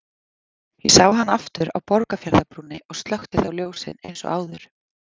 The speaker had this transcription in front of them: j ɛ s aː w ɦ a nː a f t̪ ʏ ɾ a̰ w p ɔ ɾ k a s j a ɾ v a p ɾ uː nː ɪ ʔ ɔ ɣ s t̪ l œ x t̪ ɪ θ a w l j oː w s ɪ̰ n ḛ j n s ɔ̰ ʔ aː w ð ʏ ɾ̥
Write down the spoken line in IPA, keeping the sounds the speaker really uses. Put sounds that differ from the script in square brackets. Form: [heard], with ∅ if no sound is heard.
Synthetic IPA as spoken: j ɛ s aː w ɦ a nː a f t̪ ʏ ɾ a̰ w p ɔ ɾ k a [f] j a ɾ [ð] a p ɾ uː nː ɪ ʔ ɔ ɣ s t̪ l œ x t̪ ɪ θ a w l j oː w s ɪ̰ n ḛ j n s ɔ̰ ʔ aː w ð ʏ ɾ̥